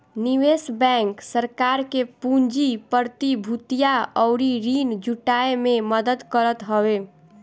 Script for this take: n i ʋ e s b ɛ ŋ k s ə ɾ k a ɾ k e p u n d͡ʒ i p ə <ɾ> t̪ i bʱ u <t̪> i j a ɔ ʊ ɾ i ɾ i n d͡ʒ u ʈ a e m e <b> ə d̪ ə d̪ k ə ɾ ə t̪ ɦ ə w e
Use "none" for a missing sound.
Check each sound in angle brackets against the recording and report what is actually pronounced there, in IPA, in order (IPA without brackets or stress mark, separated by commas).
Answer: ɾ, t̪, m